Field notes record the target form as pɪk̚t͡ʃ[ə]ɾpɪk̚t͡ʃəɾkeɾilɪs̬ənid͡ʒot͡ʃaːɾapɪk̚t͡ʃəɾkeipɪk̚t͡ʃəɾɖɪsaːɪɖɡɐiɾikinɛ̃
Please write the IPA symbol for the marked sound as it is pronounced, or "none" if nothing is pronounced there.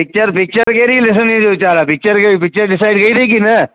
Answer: ə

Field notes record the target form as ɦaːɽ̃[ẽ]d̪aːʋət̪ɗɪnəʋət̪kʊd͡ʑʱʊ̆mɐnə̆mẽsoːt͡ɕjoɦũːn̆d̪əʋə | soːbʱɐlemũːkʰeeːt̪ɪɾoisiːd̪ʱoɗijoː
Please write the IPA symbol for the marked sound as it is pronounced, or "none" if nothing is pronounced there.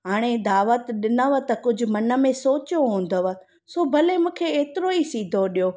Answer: e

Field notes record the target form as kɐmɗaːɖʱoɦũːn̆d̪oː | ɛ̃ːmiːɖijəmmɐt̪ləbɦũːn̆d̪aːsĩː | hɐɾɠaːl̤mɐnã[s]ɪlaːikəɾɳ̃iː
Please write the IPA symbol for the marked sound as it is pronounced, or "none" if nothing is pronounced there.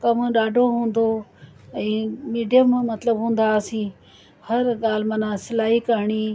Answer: s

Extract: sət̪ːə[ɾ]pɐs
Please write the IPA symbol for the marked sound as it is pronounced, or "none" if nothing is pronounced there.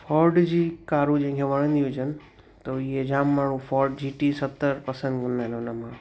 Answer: ɾ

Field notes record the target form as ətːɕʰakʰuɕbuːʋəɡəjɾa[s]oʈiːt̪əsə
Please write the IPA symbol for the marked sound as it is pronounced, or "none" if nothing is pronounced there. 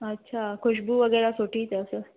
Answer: s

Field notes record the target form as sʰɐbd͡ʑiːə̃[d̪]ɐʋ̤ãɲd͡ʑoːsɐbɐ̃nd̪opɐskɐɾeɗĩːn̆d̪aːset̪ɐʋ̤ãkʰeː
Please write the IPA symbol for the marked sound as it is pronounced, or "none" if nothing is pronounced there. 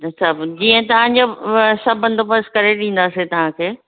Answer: t̪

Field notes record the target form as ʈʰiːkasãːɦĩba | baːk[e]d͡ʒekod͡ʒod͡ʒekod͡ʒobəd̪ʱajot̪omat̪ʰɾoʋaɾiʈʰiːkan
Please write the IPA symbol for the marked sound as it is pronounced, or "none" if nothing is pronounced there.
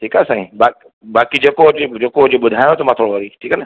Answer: i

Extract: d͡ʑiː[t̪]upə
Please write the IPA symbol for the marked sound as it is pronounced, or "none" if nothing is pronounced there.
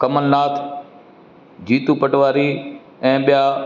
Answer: t̪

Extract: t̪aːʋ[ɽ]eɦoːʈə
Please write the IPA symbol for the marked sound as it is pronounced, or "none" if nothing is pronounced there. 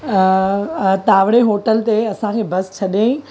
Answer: ɽ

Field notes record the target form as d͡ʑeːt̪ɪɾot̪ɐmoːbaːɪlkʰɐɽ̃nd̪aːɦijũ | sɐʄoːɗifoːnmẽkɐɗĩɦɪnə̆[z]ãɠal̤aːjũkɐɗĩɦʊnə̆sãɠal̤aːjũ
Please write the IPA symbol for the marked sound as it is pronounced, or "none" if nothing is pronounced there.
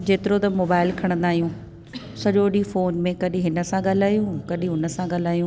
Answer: s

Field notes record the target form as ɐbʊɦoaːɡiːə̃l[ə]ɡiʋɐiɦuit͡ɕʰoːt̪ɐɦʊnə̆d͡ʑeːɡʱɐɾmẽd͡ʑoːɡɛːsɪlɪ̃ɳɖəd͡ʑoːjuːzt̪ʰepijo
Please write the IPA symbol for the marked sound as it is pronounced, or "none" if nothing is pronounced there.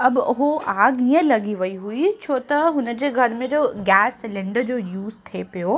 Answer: ɐ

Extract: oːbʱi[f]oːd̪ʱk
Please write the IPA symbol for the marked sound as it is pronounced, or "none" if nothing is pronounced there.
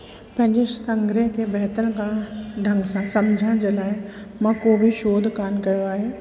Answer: ʃ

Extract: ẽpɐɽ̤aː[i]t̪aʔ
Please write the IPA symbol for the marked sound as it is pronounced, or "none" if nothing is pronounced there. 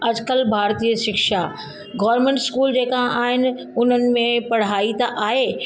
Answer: i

